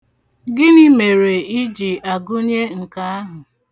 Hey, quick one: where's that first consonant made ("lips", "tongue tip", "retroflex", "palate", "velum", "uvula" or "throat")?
velum